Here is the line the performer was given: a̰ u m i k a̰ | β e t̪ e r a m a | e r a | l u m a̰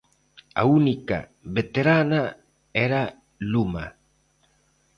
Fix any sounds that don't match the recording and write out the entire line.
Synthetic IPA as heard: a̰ u n i k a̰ | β e t̪ e ɾ a n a | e ɾ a | l u m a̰